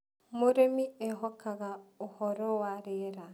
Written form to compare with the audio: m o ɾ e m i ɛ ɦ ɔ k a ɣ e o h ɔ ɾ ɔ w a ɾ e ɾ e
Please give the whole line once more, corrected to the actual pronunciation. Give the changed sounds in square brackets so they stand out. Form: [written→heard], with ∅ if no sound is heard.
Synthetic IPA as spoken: m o ɾ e m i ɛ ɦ ɔ k a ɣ [e→a] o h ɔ ɾ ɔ w a ɾ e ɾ [e→a]